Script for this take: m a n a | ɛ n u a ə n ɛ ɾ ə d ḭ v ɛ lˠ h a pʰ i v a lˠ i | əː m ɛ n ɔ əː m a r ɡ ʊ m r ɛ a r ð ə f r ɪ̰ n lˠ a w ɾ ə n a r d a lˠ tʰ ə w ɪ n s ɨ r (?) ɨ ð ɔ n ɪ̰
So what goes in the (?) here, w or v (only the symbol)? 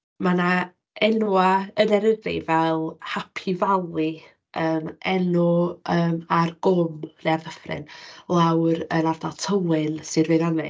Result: v